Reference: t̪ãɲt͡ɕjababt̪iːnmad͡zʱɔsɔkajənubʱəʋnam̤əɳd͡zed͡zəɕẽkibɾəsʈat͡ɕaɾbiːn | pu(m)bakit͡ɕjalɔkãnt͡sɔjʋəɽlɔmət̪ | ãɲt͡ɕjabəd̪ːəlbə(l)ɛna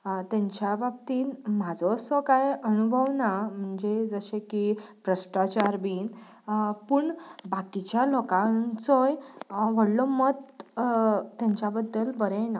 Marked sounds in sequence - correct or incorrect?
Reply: incorrect, incorrect

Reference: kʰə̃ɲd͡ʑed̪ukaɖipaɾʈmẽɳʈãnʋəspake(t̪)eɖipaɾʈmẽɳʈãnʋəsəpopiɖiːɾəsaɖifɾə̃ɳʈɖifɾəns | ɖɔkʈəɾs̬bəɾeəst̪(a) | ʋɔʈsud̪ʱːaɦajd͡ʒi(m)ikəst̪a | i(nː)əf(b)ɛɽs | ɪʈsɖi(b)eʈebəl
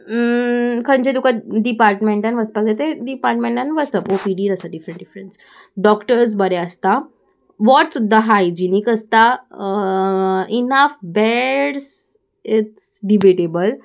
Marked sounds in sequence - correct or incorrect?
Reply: correct, correct, incorrect, incorrect, correct, correct

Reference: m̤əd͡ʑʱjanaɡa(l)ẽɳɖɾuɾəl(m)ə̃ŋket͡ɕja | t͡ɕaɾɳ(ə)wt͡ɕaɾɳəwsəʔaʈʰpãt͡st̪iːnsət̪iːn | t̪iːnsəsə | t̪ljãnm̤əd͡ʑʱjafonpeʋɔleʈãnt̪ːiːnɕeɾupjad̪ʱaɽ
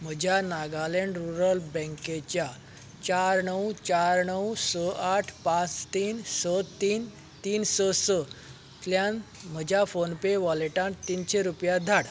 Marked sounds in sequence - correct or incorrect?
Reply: correct, incorrect, correct

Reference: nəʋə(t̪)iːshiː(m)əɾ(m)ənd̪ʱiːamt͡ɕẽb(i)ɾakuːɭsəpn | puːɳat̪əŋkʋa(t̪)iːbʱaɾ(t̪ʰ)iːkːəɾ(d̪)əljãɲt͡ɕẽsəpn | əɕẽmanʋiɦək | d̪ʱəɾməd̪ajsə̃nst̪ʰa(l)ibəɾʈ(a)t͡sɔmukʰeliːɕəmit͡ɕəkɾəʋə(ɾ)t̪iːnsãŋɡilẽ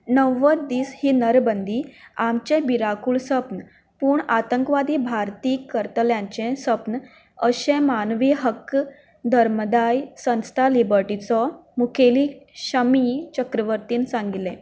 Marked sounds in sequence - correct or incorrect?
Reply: incorrect, incorrect, incorrect, correct, incorrect, incorrect, incorrect, correct, incorrect, correct

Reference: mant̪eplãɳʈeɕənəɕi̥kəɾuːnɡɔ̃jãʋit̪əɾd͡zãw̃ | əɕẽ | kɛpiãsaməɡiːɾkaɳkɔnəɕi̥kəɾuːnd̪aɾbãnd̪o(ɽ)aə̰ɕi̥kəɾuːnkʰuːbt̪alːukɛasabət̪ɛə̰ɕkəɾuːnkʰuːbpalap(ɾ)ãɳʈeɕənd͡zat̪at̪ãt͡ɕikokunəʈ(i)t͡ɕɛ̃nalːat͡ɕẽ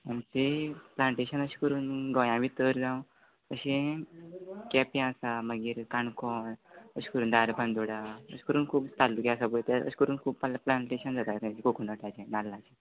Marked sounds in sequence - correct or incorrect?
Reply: correct, incorrect, incorrect

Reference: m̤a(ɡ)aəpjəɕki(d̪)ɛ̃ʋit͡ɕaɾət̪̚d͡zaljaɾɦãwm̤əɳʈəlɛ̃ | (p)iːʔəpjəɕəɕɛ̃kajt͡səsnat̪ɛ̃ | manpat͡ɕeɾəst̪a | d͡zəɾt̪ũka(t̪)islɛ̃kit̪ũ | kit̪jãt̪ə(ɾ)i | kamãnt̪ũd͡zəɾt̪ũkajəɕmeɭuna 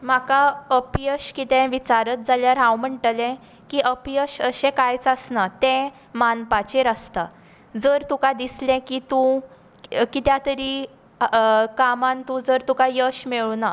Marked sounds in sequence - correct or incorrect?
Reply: incorrect, incorrect, incorrect, incorrect, correct

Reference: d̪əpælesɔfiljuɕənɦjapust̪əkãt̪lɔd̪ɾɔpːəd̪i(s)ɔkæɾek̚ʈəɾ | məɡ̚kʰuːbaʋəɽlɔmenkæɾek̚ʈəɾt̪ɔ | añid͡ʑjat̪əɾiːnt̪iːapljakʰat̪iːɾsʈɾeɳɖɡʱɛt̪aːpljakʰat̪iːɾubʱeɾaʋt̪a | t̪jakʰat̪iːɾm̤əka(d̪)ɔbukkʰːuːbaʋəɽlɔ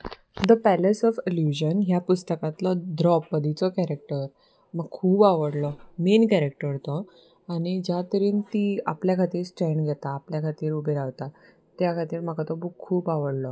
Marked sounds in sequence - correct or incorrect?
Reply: incorrect, incorrect

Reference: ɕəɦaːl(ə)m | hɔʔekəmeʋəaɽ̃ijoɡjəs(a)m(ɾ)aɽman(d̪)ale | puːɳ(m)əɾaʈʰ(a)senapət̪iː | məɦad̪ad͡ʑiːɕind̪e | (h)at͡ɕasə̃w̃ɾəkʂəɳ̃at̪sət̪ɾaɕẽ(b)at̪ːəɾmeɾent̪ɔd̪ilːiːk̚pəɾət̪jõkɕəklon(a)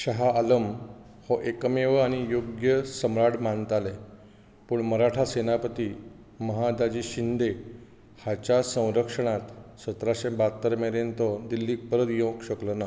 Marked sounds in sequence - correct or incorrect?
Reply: correct, incorrect, correct, incorrect, correct, correct, correct, correct, correct

